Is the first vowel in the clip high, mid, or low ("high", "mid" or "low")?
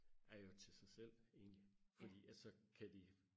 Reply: low